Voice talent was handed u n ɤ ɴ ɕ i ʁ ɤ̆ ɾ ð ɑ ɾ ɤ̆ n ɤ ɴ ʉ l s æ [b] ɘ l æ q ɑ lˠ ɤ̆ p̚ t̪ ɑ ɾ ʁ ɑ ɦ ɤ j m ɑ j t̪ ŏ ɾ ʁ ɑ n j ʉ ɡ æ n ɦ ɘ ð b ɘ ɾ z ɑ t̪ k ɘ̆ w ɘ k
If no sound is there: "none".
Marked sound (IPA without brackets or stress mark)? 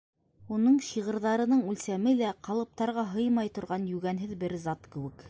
m